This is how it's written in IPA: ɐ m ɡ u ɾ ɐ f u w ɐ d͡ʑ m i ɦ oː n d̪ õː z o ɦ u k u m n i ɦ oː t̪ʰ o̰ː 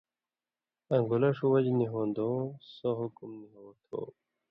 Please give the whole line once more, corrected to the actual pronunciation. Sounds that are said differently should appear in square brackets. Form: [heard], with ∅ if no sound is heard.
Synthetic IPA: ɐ [ŋ] ɡ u [l] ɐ [ʂ] u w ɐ d͡ʑ [n] i ɦ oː n d̪ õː [s] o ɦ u k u m n i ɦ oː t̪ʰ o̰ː